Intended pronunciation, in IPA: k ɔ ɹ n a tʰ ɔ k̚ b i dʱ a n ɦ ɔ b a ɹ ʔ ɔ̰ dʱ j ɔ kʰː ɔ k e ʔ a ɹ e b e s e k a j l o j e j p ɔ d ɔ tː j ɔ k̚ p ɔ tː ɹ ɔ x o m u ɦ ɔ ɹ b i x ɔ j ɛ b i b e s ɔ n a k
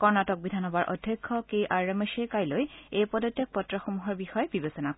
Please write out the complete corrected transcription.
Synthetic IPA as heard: k ɔ ɹ n a t ɔ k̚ b i dʱ a n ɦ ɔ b a ɹ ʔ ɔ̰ dʱ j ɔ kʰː ɔ k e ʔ a ɹ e m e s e k a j l o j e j p ɔ d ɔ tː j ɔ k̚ p ɔ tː ɹ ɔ x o m u ɦ ɔ ɹ b i x ɔ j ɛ b i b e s ɔ n a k